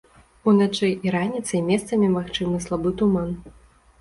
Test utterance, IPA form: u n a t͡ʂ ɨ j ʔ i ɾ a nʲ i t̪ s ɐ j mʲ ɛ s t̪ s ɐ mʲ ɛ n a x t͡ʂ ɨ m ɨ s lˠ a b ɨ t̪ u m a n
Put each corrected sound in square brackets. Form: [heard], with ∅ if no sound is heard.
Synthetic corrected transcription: u n a t͡ʂ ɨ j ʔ i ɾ a nʲ i t̪ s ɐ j mʲ ɛ s t̪ s ɐ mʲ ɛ [m] a x t͡ʂ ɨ m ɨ s lˠ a b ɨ t̪ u m a n

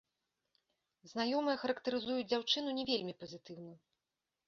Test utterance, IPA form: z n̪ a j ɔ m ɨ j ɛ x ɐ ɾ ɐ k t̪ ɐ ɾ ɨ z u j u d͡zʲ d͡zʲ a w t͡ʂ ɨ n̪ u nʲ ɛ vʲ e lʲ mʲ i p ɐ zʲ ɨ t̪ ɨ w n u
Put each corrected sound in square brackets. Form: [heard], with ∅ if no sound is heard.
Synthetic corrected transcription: z n̪ a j ɔ m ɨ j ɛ x ɐ ɾ ɐ k t̪ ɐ ɾ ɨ z u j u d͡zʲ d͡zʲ a w t͡ʂ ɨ n̪ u nʲ ɛ vʲ e lʲ mʲ i p ɐ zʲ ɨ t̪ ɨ w n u

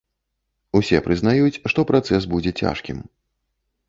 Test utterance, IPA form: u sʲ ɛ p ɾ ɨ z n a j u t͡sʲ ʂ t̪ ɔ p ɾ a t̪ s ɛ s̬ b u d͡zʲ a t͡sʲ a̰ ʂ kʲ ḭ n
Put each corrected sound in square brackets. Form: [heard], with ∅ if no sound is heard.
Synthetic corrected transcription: u sʲ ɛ p ɾ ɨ z n a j u t͡sʲ ʂ t̪ ɔ p ɾ a t̪ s ɛ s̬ b u d͡zʲ [ɛ] t͡sʲ a̰ ʂ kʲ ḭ [m]

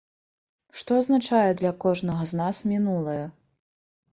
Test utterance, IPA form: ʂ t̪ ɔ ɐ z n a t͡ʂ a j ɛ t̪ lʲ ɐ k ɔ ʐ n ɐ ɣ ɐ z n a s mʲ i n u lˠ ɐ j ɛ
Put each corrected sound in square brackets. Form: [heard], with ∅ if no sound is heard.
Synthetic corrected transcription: ʂ t̪ ɔ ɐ z n a t͡ʂ a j ɛ [d̪] lʲ ɐ k ɔ ʐ n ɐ ɣ ɐ z n a s mʲ i n u lˠ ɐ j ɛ

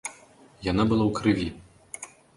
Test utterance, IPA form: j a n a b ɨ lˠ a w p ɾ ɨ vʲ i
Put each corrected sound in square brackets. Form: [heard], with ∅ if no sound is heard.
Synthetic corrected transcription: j a n a b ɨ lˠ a w [k] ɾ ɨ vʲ i

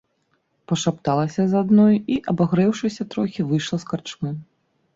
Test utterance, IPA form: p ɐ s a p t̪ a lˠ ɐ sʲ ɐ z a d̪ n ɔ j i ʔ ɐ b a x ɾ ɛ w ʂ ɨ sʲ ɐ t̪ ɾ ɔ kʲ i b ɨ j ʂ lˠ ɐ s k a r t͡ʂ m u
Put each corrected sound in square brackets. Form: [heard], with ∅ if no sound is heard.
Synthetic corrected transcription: p ɐ [ʂ] a p t̪ a lˠ ɐ sʲ ɐ z a d̪ n ɔ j i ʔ ɐ b a [ɣ] ɾ ɛ w ʂ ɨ sʲ ɐ t̪ ɾ ɔ [xʲ] i [v] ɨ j ʂ lˠ ɐ s k a r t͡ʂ m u

